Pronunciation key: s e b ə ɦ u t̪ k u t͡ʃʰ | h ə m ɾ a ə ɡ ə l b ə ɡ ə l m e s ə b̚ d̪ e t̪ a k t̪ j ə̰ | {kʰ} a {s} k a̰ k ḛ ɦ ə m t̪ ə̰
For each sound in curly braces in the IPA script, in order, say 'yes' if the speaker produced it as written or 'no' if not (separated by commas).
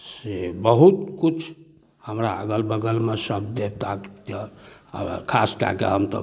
yes, yes